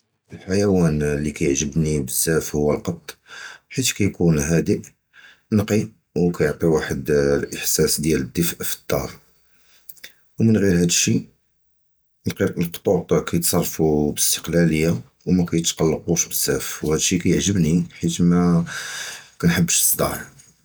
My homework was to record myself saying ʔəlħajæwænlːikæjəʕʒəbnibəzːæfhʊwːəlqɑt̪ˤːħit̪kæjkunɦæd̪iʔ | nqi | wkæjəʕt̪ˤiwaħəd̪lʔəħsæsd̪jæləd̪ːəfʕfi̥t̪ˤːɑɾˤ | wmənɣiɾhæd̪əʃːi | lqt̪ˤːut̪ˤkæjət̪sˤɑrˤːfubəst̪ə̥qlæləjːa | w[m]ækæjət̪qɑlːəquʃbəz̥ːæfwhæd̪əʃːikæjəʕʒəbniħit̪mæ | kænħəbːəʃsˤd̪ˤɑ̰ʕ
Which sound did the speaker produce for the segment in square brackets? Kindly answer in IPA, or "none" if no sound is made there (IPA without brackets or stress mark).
m